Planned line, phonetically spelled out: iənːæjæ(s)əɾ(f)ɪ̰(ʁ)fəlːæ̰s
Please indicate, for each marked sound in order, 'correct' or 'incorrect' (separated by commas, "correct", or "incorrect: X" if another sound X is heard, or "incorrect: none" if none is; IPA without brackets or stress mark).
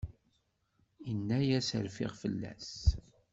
correct, correct, correct